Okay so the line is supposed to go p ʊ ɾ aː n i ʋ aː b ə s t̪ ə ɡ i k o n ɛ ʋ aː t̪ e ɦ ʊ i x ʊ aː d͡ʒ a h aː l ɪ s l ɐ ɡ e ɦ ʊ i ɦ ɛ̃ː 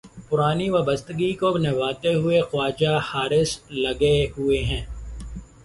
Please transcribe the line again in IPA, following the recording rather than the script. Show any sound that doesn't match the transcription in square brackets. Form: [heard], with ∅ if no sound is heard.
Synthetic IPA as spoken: p ʊ ɾ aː n i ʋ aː b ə s t̪ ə ɡ i k o n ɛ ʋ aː t̪ e ɦ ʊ [e] x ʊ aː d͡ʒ a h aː [ɾ] ɪ s l ɐ ɡ e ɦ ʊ [e] ɦ ɛ̃ː